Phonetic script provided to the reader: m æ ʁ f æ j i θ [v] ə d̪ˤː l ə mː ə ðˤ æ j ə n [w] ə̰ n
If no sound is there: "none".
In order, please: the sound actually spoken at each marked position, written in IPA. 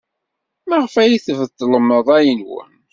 v, w

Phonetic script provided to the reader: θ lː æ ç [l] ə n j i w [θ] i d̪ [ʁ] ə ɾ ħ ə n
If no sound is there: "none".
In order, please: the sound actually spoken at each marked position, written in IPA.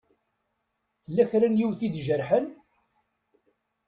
ɾ, θ, ʒ

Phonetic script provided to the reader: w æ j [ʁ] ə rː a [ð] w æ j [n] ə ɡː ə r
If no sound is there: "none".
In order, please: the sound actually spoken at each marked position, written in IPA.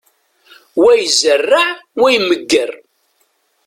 z, ʕ, m

